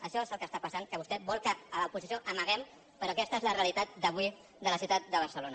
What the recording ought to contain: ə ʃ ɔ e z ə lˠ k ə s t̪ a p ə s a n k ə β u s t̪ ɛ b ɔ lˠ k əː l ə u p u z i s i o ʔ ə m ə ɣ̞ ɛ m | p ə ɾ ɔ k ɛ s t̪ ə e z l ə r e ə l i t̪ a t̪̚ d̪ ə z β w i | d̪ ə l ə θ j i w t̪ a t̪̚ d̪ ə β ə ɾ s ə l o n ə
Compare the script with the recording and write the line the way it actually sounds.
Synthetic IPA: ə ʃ ɔ e z ə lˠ k ə s t̪ a p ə s a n k ə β u s t̪ ɛ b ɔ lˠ k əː l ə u p u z i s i o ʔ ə m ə ɣ̞ ɛ m | p ə ɾ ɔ k ɛ s t̪ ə e z l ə r e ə l i t̪ a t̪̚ d̪ ə β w i | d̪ ə l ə s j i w t̪ a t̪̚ d̪ ə β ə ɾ s ə l o n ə

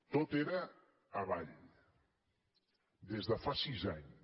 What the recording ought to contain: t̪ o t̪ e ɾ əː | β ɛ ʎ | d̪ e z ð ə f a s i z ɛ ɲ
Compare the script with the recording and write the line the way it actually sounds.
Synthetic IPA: t̪ o t̪ e ɾ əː | β a ʎ | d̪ e z ð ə f a s i z a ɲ

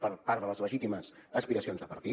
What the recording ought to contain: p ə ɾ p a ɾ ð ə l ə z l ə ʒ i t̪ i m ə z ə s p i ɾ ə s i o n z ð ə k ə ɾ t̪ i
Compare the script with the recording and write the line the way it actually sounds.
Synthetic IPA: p ə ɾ p a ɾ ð ə l ə z l ə ʒ i t̪ i m ə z ə s p i ɾ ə s i o n z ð ə p ə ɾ t̪ i

